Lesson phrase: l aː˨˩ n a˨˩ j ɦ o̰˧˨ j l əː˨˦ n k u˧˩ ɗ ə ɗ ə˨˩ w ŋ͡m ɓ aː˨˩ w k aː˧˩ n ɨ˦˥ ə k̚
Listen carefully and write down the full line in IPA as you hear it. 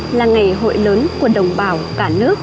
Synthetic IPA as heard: l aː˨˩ ŋ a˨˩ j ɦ o̰˧˨ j l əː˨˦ n k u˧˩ ə ɗ ə˨˩ w ŋ͡m ɓ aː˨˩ w k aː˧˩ n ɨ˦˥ ə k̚